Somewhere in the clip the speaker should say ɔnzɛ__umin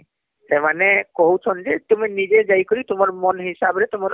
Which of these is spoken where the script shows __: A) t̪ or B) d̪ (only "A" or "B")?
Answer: A